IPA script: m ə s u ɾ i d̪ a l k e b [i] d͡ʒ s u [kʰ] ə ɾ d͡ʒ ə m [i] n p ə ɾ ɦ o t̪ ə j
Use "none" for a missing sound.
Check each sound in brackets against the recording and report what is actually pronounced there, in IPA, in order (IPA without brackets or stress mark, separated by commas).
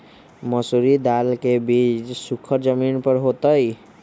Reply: i, kʰ, i